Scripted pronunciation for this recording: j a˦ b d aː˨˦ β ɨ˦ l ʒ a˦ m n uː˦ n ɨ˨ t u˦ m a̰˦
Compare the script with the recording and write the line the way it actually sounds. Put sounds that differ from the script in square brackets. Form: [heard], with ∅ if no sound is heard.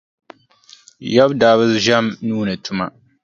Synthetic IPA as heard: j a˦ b d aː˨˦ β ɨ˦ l ʒ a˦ m n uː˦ n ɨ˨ t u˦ m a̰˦